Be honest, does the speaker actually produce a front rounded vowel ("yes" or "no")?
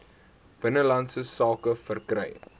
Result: no